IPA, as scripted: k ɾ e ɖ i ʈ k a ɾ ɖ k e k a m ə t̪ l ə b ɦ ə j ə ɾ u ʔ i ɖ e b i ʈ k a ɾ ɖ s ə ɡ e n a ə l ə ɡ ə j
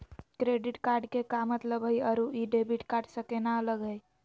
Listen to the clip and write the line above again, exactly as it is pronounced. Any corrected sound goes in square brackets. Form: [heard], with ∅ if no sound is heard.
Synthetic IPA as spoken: k ɾ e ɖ i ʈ k a ɾ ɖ k e k a m ə t̪ l ə b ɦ ə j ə ɾ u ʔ i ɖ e b i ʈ k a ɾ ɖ s ə [k] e n a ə l ə ɡ ə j